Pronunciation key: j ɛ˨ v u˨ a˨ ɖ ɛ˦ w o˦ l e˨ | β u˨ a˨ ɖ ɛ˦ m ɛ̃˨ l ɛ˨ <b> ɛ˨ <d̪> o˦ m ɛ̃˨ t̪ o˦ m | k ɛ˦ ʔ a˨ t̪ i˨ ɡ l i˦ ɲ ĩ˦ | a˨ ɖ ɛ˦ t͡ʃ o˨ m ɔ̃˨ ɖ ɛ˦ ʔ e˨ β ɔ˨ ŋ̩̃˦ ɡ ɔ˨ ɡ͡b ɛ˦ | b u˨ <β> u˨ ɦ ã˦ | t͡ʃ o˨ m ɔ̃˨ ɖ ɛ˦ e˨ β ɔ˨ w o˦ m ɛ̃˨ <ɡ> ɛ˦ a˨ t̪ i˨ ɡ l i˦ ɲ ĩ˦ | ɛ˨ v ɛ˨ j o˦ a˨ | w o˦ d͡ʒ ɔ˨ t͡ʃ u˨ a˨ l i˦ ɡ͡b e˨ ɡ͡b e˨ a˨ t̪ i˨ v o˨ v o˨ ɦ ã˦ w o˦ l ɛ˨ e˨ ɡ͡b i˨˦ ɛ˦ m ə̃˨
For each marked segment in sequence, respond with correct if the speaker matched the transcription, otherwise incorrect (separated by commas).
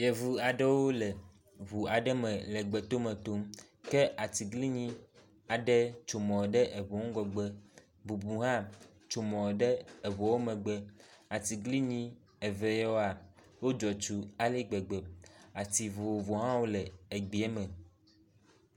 incorrect, incorrect, incorrect, incorrect